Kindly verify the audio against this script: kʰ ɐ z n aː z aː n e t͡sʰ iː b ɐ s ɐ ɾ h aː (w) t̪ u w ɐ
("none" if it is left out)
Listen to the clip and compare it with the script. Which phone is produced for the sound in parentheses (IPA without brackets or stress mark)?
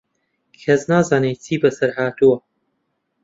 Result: none